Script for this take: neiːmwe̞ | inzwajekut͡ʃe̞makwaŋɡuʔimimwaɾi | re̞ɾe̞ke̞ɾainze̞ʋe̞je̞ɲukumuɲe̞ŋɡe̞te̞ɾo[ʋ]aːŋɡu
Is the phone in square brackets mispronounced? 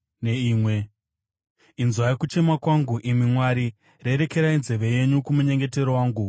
yes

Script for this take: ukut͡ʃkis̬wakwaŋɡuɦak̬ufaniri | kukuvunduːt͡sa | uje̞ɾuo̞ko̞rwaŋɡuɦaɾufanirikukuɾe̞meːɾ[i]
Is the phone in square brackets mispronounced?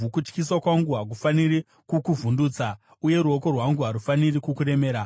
yes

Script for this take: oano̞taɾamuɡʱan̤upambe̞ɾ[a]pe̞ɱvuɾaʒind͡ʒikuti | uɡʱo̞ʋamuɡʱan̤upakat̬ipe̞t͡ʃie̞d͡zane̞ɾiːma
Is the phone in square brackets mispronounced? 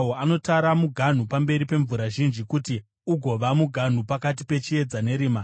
yes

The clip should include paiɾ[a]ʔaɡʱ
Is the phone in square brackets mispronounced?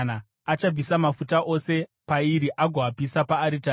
yes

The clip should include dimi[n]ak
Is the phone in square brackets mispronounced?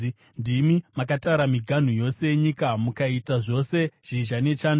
yes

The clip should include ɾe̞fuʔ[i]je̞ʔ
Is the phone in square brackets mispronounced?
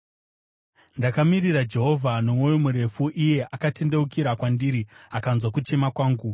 no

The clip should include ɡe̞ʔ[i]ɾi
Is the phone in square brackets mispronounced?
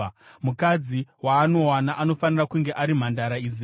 yes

